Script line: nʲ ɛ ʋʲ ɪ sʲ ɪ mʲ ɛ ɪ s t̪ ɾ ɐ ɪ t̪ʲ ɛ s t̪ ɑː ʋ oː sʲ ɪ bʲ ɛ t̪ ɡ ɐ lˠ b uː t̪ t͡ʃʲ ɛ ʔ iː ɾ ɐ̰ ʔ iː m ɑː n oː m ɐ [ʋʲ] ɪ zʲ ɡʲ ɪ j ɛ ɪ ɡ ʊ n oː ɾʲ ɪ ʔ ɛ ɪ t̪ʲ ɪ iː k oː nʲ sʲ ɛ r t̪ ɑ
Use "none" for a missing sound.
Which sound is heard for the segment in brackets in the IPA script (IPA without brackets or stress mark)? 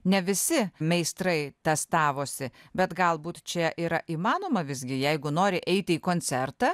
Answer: ʋʲ